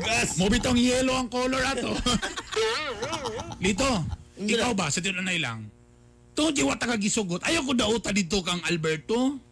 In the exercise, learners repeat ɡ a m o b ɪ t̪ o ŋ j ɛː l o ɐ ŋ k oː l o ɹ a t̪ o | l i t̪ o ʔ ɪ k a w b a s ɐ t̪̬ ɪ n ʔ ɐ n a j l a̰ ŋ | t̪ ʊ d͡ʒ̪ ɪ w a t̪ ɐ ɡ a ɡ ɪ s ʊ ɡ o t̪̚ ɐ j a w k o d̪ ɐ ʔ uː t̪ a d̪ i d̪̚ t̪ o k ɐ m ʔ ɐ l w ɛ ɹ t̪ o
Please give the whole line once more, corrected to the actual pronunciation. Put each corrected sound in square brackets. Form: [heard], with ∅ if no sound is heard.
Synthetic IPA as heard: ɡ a m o b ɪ t̪ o ŋ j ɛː l o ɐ ŋ k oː l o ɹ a t̪ o | l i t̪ o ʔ ɪ k a w b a s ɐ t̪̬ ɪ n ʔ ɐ n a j l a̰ ŋ | t̪ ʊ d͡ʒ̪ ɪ w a t̪ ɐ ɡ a ɡ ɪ s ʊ ɡ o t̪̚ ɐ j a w k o d̪ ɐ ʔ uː t̪ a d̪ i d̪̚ t̪ o k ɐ [ŋ] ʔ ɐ l [b] ɛ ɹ t̪ o